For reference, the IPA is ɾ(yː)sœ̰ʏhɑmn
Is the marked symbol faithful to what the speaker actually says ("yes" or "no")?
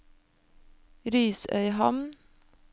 yes